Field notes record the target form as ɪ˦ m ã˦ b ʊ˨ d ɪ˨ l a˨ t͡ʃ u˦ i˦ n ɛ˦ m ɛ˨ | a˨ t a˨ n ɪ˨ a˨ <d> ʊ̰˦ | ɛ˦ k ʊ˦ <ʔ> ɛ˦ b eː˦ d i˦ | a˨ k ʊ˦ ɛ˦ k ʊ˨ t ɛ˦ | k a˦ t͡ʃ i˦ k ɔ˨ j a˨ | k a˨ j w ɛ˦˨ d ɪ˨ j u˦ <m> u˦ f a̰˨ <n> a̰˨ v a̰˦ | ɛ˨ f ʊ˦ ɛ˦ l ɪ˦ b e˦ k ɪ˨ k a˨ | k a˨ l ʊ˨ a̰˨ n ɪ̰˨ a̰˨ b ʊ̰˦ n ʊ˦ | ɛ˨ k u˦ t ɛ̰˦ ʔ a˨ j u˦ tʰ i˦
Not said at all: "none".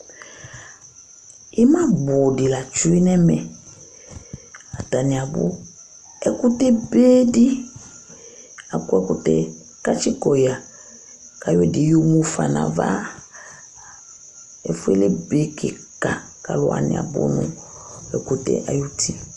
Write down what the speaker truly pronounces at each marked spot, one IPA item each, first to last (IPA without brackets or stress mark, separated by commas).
b, t, m, n